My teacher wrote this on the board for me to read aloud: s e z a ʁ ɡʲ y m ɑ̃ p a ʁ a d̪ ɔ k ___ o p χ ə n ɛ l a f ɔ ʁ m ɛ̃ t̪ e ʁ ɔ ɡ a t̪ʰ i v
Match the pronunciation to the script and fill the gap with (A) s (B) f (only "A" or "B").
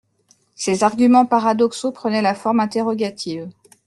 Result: A